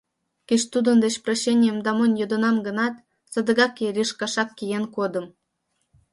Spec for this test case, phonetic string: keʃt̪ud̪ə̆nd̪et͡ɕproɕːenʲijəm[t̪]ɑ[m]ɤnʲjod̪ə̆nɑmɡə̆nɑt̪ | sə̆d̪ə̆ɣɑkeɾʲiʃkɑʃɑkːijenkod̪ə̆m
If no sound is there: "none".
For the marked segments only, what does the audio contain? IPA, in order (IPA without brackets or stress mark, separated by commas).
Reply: d̪, m